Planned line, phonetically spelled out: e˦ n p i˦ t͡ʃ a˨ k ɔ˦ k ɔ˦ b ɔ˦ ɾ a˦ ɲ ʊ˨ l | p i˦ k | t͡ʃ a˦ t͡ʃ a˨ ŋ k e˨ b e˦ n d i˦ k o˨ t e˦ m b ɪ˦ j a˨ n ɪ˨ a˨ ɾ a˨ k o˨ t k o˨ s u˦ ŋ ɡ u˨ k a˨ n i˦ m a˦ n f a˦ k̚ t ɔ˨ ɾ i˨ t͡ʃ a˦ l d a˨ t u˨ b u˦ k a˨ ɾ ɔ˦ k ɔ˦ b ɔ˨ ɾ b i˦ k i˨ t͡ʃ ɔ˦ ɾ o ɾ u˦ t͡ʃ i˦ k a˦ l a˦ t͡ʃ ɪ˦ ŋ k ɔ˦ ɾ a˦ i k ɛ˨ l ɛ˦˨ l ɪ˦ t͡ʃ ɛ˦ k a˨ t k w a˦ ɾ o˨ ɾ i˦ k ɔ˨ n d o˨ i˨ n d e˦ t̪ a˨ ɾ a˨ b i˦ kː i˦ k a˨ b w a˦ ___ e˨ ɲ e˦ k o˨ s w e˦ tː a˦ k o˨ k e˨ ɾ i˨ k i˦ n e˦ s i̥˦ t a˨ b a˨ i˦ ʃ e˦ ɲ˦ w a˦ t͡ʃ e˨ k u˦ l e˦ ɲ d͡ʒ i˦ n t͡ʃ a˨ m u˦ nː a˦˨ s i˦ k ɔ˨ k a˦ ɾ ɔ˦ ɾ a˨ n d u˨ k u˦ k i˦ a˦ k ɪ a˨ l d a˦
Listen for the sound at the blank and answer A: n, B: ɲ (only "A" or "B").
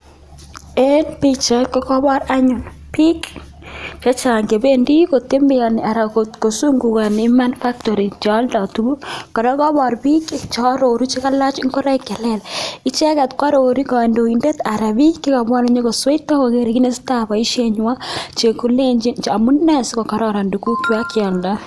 A